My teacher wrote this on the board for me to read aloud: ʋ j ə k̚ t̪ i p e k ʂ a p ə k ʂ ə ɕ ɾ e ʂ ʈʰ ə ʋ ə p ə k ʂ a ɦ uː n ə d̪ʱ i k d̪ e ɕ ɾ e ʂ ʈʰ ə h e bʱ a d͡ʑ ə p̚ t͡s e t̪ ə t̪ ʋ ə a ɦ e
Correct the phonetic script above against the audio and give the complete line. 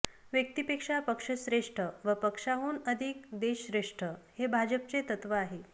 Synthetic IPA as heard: ʋ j ə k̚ t̪ i p e k ʂ a p ə k ʂ ə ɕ ɾ e ʂ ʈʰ ə ʋ ə p ə k ʂ a ɦ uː n ə d̪ʱ i k d̪ e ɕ ɾ e ʂ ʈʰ ə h e bʱ a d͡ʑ ə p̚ t͡s e t̪ ə t̪ ʋ ə a ɦ e